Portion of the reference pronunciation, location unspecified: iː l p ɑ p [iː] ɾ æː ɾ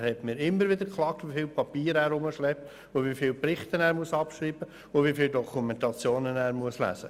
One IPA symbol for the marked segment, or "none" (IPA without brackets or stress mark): iː